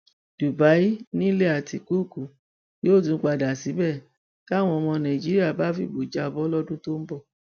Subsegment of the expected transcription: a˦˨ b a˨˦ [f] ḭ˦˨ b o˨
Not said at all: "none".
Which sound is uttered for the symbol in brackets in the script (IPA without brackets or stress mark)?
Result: f